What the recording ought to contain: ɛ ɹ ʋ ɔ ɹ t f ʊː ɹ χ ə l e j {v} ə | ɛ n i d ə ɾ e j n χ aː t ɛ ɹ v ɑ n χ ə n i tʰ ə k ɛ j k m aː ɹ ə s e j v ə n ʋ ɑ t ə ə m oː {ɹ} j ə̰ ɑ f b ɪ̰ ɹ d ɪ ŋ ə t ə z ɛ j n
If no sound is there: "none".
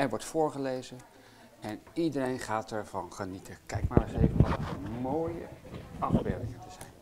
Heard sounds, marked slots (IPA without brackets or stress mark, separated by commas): z, none